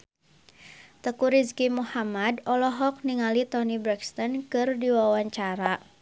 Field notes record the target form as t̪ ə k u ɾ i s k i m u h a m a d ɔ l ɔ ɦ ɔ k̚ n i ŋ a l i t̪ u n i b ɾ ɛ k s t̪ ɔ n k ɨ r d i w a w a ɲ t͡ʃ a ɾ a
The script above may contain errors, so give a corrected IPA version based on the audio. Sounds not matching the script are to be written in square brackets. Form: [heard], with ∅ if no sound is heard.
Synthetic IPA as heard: t̪ ə k u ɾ i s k i m u h a m a d ɔ l ɔ ɦ ɔ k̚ n i ŋ a l i t̪ [ɔ] n i b ɾ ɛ k s t̪ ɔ n k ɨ r d i w a w a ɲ t͡ʃ a ɾ a